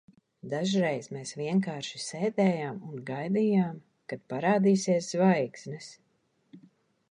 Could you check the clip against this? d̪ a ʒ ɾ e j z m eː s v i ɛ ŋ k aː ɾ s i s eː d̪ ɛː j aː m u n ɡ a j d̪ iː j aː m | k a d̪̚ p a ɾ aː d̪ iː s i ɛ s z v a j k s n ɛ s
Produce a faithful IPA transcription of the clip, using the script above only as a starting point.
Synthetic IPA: d̪ a ʒ ɾ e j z m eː s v i ɛ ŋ k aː ɾ ʃ i s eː d̪ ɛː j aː m u n ɡ a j d̪ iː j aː m | k a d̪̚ p a ɾ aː d̪ iː s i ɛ s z v a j k s n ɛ s